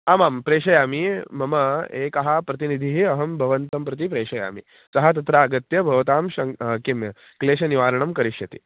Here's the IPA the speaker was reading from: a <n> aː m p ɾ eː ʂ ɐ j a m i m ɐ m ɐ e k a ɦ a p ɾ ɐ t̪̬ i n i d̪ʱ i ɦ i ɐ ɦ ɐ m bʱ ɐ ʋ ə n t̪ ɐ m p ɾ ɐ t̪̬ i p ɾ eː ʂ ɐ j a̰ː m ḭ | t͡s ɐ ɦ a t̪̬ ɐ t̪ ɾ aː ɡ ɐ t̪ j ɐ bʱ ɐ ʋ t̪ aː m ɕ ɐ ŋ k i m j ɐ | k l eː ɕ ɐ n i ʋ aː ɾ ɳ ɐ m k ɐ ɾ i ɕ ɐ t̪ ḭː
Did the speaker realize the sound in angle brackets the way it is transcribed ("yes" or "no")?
no